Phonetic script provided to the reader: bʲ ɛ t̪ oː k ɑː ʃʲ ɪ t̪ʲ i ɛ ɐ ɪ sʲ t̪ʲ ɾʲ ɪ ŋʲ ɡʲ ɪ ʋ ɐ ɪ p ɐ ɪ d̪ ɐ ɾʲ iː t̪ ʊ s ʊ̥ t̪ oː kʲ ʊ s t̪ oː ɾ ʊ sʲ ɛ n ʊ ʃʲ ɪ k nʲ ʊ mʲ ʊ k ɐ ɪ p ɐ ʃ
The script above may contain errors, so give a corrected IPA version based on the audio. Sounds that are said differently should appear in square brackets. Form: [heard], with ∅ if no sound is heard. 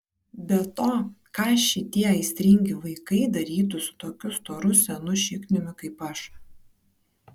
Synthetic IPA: bʲ ɛ t̪ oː k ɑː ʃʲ ɪ t̪ʲ i ɛ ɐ ɪ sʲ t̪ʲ ɾʲ ɪ ŋʲ ɡʲ ɪ ʋ ɐ ɪ [k] ɐ ɪ d̪ ɐ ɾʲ iː t̪ ʊ s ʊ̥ t̪ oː kʲ ʊ s t̪ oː ɾ ʊ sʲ ɛ n ʊ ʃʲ ɪ k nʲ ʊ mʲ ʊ k ɐ ɪ p ɐ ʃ